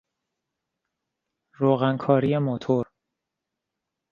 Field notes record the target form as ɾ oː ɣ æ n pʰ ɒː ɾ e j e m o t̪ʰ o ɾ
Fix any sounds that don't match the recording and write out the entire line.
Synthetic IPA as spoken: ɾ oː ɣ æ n kʰ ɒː ɾ i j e m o t̪ʰ o ɾ